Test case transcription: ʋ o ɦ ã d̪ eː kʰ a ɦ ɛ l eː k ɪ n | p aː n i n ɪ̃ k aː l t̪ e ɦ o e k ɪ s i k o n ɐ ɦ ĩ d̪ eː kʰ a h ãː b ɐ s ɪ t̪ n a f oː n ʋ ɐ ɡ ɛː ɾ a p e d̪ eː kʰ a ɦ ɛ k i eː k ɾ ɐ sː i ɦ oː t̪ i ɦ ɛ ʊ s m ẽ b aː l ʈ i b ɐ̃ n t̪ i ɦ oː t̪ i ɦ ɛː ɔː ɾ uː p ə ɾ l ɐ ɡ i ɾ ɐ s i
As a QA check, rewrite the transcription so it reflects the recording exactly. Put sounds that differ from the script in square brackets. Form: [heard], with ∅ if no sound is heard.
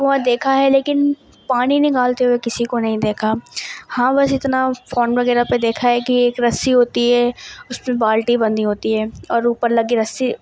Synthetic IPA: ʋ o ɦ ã d̪ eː kʰ a ɦ ɛ l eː k ɪ n | p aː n i n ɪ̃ k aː l t̪ e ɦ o e k ɪ s i k o n ɐ ɦ ĩ d̪ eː kʰ a h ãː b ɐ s ɪ t̪ n a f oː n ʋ ɐ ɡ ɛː ɾ a p e d̪ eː kʰ a ɦ ɛ k i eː k ɾ ɐ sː i ɦ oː t̪ i ɦ ɛ ʊ s m ẽ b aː l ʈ i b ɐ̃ n [d̪] i ɦ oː t̪ i ɦ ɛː ɔː ɾ uː p ə ɾ l ɐ ɡ i ɾ ɐ s i